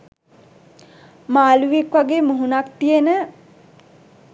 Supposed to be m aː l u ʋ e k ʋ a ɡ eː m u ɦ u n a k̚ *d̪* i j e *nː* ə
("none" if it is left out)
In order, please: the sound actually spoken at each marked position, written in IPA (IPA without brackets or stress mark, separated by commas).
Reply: t̪, n